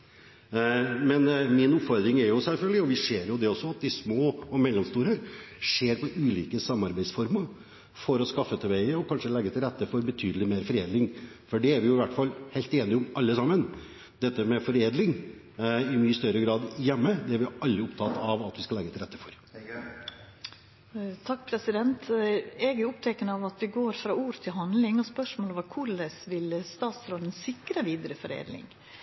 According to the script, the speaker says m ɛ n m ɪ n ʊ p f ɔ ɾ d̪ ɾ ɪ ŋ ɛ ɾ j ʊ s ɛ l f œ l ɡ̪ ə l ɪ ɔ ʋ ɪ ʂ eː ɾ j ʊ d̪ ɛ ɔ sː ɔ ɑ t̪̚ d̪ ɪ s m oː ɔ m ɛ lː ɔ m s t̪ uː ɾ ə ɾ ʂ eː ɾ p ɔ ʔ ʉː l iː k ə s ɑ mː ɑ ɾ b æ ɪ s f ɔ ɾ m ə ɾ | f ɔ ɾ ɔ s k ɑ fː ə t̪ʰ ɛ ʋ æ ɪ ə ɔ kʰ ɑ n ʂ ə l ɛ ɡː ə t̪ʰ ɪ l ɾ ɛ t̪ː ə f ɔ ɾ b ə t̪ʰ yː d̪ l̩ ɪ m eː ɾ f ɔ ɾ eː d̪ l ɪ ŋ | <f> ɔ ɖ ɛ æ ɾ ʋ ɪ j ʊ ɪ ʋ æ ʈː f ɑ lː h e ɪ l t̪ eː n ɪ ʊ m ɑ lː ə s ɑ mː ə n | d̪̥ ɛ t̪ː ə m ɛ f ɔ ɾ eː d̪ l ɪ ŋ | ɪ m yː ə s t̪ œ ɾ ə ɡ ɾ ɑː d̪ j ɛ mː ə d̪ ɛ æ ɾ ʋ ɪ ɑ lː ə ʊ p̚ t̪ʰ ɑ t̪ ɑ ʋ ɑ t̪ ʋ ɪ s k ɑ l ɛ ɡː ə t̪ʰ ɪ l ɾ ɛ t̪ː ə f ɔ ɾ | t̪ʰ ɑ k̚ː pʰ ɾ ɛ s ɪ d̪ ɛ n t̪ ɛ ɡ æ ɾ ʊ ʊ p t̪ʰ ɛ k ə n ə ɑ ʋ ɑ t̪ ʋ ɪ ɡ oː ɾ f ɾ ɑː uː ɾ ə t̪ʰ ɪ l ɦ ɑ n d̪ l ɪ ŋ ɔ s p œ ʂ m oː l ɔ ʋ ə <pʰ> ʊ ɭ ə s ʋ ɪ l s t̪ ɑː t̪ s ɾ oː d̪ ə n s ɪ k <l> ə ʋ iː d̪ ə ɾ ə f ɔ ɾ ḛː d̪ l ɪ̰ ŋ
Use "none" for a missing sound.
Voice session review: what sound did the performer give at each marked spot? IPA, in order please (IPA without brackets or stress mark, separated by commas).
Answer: f, kʰ, ɾ